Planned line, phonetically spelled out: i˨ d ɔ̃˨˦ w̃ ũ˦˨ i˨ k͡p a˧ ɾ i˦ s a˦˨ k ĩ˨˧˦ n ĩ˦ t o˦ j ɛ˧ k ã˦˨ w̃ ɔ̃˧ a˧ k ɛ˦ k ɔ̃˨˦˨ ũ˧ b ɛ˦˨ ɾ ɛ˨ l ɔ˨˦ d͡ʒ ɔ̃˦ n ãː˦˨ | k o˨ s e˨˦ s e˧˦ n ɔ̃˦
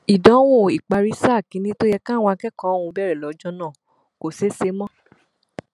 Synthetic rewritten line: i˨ d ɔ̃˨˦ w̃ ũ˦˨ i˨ k͡p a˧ ɾ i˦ s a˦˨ k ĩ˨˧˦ n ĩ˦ t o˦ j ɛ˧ k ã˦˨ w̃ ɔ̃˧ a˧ k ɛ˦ k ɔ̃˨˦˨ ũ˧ b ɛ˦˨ ɾ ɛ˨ l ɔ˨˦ d͡ʒ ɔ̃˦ n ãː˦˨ | k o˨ s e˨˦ s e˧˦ m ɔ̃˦